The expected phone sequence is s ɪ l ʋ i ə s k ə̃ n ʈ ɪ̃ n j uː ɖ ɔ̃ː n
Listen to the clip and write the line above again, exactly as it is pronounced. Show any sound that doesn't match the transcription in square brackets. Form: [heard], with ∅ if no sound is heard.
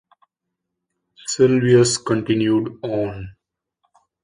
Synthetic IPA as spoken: s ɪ l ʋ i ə s k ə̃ [ɳ] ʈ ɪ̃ n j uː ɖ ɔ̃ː n

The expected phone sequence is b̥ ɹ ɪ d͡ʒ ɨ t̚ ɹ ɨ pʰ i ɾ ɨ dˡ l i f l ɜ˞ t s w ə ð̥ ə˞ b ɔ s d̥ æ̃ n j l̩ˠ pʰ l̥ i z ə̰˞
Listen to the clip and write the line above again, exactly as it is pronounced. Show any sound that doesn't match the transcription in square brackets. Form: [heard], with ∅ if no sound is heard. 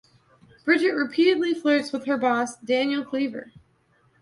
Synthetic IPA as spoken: b̥ ɹ ɪ d͡ʒ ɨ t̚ ɹ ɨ pʰ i ɾ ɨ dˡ l i f l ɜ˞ t s w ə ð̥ ə˞ b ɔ s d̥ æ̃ n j l̩ˠ [kʰ] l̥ i [v] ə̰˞

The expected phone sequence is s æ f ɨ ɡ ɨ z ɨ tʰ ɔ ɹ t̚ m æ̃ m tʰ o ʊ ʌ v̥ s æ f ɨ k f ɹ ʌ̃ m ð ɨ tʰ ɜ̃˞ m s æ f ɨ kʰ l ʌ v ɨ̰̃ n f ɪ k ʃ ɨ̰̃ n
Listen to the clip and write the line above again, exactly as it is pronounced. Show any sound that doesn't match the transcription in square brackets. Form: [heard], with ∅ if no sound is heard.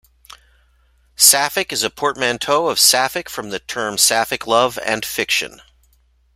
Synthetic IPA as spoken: s æ f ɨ [k] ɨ z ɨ [pʰ] ɔ ɹ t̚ m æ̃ [n] tʰ o ʊ ʌ v̥ s æ f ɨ k f ɹ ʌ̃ m ð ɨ tʰ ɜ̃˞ m s æ f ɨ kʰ l ʌ v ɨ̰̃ n f ɪ k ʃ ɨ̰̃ n

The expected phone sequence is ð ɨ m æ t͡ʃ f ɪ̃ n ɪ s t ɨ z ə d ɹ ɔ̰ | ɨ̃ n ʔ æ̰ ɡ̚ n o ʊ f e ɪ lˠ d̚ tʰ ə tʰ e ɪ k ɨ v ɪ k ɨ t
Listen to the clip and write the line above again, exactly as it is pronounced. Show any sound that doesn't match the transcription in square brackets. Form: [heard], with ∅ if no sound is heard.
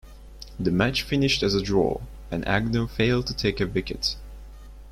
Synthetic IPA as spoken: ð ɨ m æ t͡ʃ f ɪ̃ n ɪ [ʃ] t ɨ z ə d ɹ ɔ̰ | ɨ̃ n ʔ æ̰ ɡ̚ n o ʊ f e ɪ lˠ d̚ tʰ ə tʰ e ɪ k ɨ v ɪ k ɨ t

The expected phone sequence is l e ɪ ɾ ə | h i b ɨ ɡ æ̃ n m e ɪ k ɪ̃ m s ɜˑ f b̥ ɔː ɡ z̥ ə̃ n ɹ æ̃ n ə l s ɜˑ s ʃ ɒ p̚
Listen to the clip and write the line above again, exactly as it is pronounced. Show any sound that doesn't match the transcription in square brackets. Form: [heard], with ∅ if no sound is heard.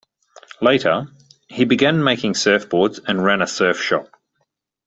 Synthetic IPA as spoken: l e ɪ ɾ ə | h i b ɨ ɡ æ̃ n m e ɪ k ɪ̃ [ŋ] s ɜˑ f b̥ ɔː [d] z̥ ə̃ n ɹ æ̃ n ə [∅] s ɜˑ [f] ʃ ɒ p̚

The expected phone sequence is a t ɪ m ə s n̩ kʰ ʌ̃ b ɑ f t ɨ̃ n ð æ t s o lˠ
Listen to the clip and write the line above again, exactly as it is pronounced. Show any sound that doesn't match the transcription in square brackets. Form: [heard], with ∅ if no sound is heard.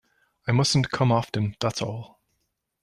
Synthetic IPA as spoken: a [∅] ɪ m [ʌ] s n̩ kʰ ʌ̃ [m] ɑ f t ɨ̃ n ð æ t s [ɔ] lˠ

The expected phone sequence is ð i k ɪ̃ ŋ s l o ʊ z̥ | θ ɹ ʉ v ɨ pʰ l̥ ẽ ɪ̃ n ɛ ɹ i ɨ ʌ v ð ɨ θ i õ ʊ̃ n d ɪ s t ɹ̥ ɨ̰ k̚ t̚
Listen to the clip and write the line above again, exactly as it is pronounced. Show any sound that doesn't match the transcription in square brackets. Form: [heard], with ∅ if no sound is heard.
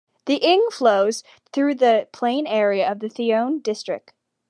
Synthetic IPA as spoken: ð i [ʔ] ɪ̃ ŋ [f] l o ʊ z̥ | θ ɹ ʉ [ð] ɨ pʰ l̥ ẽ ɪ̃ n ɛ ɹ i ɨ ʌ v ð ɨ θ i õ ʊ̃ n d ɪ s t ɹ̥ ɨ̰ k̚ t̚

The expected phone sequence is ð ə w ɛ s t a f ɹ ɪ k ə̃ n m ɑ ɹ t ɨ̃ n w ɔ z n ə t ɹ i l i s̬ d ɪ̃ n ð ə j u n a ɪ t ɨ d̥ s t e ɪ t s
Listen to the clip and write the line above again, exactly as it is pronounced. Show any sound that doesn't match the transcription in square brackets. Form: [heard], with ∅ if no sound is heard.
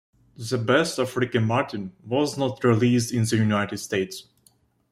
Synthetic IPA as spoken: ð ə [b] ɛ s t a f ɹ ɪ k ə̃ n m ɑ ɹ t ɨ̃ n w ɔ z n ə t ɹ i l i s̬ d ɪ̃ n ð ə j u n a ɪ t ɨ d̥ s t e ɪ t s

